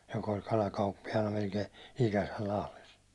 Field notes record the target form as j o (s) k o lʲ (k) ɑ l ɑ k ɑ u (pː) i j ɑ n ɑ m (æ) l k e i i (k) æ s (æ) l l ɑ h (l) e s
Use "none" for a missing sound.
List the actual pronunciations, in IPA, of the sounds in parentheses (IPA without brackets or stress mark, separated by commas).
none, k, pː, e, k, æ, l